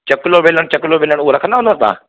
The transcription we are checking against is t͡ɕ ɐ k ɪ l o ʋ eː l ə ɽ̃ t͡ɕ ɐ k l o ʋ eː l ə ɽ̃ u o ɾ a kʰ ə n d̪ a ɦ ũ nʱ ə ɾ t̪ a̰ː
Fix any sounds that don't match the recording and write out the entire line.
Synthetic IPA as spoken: t͡ɕ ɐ k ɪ l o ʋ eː l ə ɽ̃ t͡ɕ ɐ k l o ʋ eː l ə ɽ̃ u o ɾ ɐ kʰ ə n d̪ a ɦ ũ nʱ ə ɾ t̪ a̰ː